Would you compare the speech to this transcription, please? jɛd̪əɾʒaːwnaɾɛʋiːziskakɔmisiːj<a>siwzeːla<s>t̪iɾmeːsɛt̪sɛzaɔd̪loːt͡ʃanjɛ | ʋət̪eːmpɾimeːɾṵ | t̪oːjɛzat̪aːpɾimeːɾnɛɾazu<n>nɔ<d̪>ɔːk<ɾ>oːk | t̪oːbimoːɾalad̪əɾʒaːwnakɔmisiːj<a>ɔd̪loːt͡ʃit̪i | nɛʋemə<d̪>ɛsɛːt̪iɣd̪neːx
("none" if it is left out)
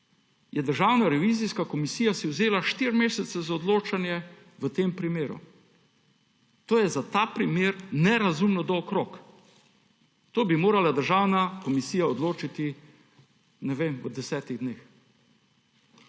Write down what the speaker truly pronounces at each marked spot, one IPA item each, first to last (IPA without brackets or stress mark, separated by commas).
a, ʃ, m, d̪, ɾ, a, d̪